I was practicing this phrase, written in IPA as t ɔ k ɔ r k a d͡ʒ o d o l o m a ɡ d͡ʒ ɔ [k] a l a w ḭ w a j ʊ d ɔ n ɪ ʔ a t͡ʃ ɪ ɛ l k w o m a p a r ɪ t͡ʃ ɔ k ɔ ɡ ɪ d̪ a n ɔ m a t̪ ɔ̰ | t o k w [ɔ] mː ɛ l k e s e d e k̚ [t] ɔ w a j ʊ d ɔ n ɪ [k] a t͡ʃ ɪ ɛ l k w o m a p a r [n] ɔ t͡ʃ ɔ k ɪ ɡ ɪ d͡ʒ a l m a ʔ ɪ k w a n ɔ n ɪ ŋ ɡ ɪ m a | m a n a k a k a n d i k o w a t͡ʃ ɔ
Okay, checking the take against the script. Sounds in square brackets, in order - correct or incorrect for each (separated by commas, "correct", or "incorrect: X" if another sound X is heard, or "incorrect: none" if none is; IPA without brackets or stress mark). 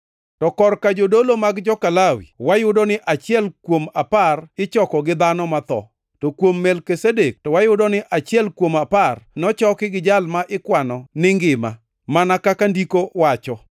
correct, incorrect: o, correct, incorrect: ʔ, correct